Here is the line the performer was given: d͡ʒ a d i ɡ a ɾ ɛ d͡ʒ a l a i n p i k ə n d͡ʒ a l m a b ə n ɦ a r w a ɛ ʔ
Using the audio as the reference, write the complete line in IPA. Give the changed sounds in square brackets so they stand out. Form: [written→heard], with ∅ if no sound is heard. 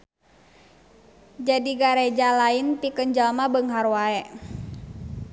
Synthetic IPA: d͡ʒ a d i ɡ a ɾ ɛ d͡ʒ a l a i n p i k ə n d͡ʒ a l m a b ə [n→ŋ] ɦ a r w a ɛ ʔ

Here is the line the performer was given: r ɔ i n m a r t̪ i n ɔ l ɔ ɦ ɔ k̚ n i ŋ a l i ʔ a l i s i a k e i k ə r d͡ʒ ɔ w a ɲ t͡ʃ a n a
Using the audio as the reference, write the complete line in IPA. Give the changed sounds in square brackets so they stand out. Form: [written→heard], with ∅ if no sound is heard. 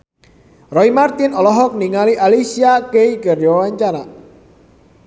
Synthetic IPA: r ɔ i [n→∅] m a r t̪ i n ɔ l ɔ ɦ ɔ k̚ n i ŋ a l i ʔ a l i s i a k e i k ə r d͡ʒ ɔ w a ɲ t͡ʃ a n a

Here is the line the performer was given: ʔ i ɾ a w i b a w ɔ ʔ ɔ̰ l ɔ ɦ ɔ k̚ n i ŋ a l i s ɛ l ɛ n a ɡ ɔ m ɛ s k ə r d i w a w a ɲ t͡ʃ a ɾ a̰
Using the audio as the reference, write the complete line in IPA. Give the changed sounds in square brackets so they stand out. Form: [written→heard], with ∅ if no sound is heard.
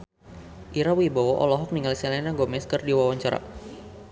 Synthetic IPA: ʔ i ɾ a w i b a w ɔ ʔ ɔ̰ l ɔ ɦ ɔ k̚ n i ŋ a l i s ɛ l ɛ n a ɡ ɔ m ɛ s k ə r d i w a w a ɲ t͡ʃ a ɾ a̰

